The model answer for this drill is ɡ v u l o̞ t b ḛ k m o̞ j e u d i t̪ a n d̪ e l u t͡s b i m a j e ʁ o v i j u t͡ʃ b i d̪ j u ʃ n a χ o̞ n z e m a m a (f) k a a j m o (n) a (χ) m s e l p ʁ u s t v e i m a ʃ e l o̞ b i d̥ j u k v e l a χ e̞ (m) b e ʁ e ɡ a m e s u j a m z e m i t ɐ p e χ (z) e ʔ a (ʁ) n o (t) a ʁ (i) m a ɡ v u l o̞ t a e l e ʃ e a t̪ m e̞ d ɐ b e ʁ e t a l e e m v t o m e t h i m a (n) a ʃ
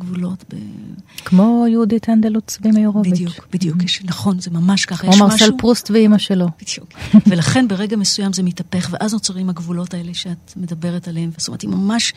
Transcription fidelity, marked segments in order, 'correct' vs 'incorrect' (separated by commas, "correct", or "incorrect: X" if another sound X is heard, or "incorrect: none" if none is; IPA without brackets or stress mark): incorrect: ʃ, incorrect: m, incorrect: ʁ, incorrect: n, incorrect: v, incorrect: z, incorrect: t͡s, correct, incorrect: m